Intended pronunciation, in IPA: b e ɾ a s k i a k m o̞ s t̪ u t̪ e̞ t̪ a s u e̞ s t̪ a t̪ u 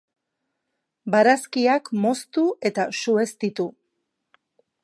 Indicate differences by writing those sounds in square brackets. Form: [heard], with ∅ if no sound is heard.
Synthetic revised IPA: b [a] ɾ a s k i a k m o̞ s t̪ u [∅] e̞ t̪ a s u e̞ s t̪ [i] t̪ u